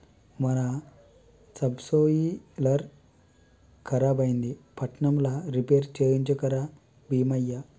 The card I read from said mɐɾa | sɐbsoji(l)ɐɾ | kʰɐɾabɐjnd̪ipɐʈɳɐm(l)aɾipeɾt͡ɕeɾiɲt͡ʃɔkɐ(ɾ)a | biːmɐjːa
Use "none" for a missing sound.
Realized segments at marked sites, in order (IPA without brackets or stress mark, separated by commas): l, l, ɾ